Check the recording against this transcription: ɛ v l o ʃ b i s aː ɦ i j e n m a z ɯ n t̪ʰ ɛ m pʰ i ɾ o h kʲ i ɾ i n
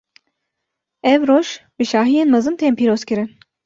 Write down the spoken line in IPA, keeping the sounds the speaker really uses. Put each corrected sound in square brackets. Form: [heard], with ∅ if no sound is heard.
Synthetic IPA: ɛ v [ɾ] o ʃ b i [ʃ] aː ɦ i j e n m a z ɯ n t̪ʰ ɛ m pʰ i ɾ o [s] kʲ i ɾ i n